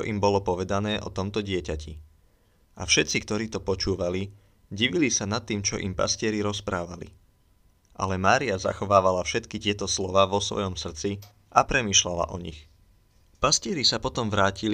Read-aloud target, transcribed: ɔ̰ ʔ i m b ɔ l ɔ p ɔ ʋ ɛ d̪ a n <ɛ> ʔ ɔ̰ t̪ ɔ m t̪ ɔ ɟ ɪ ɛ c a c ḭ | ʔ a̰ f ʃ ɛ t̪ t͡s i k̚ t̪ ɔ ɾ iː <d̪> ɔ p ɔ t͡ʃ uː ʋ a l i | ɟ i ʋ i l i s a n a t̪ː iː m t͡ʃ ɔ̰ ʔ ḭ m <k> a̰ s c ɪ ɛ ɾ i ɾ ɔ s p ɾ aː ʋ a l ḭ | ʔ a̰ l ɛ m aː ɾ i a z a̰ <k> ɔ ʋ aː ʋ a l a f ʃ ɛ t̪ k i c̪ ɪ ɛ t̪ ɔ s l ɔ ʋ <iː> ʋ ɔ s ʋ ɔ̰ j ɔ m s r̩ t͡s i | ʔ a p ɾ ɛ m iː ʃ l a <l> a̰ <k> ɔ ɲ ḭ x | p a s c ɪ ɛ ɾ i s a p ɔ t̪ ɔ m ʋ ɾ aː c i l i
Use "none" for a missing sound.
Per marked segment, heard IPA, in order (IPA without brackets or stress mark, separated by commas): ɛː, t̪, p, x, aː, l, ʔ